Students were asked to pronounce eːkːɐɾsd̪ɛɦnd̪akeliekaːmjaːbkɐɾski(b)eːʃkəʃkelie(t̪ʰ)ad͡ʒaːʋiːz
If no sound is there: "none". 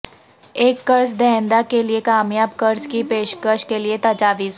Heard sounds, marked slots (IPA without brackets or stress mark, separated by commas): p, t̪